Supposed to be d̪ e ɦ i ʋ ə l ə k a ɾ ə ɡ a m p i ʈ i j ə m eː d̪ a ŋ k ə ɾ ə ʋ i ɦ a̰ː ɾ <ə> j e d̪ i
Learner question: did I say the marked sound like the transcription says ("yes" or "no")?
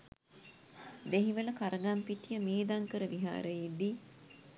yes